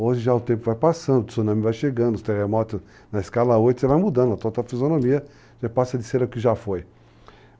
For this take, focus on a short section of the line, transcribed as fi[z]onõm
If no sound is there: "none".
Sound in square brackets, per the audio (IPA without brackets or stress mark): z